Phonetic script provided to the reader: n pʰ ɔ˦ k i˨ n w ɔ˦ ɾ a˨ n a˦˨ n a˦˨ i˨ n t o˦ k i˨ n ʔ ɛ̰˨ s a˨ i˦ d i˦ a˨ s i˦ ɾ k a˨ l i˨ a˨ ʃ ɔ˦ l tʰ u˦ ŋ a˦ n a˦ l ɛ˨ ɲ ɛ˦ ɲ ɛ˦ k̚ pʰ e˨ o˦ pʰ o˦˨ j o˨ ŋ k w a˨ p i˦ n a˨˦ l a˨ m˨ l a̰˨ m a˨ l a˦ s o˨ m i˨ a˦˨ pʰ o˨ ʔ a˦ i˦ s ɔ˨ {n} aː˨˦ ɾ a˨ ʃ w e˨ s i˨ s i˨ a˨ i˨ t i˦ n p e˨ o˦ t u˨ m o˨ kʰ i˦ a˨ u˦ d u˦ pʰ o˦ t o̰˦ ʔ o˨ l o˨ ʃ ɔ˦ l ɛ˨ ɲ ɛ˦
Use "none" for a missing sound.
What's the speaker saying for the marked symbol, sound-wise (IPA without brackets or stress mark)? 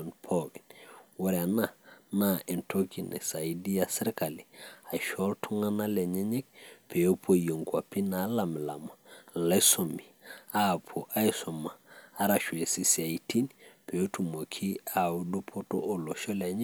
m